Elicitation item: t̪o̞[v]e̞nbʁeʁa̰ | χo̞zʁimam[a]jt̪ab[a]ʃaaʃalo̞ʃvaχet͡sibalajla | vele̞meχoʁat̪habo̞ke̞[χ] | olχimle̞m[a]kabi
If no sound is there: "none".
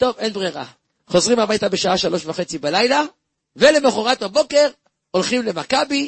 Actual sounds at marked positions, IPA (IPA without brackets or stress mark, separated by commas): v, a, e, ʁ, a